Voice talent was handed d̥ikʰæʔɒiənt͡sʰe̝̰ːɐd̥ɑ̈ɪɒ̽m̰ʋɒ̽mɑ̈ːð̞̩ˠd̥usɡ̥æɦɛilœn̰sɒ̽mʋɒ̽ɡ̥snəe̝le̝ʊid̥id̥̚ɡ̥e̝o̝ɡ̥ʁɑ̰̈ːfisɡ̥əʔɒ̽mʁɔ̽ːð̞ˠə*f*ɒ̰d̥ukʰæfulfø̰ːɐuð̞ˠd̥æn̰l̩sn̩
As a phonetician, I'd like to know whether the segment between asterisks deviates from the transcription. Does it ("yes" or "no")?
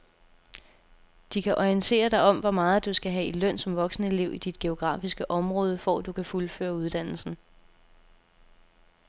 no